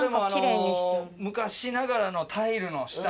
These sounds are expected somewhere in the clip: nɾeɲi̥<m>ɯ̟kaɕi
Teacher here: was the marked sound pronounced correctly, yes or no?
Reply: yes